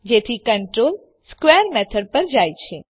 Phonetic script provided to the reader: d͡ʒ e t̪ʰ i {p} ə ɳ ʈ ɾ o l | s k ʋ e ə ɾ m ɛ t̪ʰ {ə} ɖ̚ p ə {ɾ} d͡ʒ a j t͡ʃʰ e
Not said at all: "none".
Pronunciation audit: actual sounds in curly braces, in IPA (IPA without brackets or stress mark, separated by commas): k, ə, ɾ